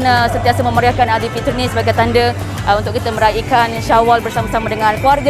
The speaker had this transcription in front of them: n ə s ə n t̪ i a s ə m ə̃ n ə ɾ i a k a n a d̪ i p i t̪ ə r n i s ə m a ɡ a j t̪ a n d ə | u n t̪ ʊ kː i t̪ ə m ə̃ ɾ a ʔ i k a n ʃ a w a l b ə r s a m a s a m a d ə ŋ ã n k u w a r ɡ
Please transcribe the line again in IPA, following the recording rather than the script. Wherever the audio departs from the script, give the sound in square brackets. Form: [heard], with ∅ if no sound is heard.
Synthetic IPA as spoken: n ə s ə n t̪ i a s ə m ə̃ [m] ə ɾ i a k a n a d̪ i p i t̪ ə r n i s ə [b] a ɡ a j t̪ a n d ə | u n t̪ ʊ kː i t̪ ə m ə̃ ɾ a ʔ i k a n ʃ a w a l b ə r s a m a s a m a d ə ŋ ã n k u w a r ɡ